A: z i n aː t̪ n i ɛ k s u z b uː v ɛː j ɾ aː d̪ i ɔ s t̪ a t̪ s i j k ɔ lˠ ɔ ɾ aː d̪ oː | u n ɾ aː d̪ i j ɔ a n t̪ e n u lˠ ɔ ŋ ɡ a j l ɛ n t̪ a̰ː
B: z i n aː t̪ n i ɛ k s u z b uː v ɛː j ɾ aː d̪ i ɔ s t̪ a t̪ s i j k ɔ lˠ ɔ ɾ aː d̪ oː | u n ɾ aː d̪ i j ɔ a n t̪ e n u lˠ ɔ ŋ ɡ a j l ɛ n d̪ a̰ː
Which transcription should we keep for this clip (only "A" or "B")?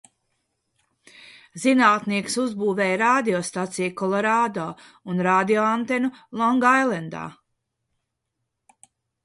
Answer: B